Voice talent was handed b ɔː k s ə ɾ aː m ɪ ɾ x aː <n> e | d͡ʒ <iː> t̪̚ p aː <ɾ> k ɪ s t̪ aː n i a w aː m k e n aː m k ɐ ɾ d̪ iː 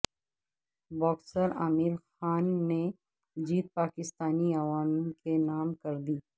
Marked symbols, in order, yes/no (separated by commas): no, yes, no